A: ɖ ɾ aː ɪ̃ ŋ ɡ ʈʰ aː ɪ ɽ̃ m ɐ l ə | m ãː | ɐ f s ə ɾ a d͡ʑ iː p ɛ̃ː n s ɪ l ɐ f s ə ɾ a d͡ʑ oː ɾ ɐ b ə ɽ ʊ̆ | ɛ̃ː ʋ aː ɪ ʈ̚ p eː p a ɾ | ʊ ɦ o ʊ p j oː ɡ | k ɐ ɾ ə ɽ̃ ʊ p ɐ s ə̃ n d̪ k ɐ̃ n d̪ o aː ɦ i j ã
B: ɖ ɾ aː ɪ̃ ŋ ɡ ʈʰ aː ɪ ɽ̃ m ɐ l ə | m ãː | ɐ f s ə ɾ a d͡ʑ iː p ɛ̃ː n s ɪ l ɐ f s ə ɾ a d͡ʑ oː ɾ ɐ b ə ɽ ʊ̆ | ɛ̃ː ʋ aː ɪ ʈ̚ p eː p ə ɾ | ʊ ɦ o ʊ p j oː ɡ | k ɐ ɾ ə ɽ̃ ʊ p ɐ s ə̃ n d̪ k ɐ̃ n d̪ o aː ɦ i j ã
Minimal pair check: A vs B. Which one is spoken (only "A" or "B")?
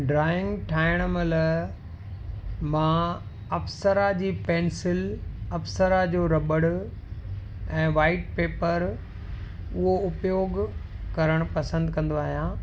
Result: B